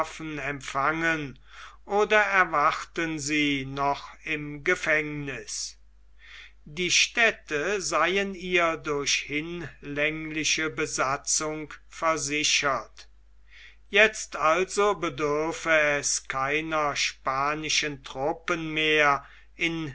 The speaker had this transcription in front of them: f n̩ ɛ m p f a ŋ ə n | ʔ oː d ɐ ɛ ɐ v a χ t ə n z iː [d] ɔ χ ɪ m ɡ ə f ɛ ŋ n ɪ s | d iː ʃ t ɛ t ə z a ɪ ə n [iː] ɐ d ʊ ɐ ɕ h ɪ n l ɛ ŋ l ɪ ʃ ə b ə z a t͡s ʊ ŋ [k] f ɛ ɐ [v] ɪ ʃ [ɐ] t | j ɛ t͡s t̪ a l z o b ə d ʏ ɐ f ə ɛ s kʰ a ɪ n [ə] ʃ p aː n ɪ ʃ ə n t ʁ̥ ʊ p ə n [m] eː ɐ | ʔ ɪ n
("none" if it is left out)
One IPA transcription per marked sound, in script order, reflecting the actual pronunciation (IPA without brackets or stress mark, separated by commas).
n, iː, k, z, ɐ, ɐ, m